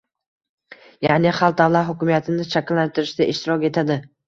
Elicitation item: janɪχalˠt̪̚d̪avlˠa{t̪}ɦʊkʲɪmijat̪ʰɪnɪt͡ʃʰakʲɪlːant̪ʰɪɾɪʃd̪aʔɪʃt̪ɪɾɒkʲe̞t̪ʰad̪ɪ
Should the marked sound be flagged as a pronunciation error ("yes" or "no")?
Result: no